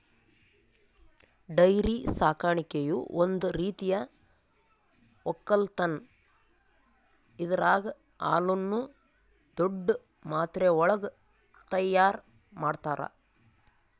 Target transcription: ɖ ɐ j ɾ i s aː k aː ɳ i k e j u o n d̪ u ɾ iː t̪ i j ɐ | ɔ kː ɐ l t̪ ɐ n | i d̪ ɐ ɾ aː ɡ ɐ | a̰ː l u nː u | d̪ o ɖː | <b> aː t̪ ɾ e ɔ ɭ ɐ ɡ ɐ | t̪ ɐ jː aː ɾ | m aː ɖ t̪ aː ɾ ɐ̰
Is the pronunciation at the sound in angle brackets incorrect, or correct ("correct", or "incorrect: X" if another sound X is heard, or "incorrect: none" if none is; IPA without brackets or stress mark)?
incorrect: m